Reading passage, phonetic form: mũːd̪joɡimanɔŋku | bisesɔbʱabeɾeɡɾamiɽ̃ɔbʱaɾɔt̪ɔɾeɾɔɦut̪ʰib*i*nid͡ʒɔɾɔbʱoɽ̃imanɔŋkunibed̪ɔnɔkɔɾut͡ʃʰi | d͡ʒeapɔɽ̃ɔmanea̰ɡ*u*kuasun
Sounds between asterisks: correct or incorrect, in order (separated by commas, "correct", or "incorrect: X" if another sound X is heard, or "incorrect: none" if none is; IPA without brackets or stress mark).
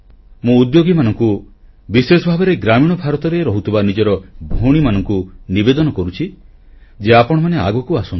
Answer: incorrect: a, incorrect: ɔ